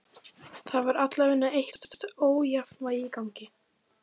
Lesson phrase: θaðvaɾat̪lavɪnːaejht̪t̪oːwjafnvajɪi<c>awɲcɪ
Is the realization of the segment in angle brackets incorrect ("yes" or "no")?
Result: yes